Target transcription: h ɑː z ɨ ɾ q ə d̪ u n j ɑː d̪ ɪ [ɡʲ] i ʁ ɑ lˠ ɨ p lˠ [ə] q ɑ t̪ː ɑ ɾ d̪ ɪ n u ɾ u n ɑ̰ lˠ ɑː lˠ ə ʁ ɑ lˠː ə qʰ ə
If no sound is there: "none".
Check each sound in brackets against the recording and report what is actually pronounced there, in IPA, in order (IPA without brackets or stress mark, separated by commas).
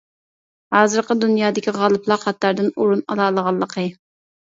kʲ, ɑ